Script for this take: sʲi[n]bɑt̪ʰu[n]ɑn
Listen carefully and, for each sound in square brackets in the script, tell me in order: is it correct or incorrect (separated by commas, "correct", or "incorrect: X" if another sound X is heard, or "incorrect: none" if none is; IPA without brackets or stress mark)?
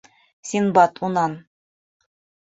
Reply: correct, correct